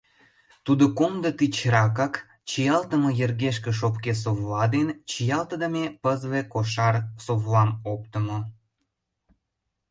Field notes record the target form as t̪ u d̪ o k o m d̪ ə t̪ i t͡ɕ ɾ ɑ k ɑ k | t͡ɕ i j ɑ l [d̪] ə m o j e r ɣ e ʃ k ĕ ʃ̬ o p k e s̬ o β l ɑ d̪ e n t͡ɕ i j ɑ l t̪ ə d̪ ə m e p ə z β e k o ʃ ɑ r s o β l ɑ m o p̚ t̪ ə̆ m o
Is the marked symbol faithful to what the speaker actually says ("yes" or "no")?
no